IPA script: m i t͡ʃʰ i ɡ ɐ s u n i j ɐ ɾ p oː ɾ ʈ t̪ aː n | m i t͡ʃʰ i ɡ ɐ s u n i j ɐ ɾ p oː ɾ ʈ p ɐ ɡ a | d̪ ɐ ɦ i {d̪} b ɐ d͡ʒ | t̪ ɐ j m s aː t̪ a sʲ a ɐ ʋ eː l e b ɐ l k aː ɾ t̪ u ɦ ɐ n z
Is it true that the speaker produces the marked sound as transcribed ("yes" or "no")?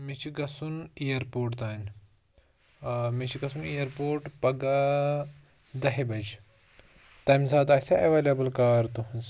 no